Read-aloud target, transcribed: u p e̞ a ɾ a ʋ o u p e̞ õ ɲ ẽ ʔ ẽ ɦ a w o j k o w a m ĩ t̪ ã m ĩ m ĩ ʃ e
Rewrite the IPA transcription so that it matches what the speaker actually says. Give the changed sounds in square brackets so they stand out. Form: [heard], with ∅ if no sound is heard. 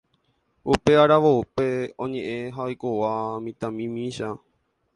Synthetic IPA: u p e̞ a ɾ a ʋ o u p e̞ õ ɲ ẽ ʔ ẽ ɦ a [∅] o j k o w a m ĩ t̪ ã m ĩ m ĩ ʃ [a]